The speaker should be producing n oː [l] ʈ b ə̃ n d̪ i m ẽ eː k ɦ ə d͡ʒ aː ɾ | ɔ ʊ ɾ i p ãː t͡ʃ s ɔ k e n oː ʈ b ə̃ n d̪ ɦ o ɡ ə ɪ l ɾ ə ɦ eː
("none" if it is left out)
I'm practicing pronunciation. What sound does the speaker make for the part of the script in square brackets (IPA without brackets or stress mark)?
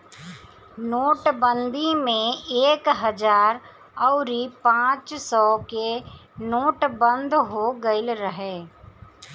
none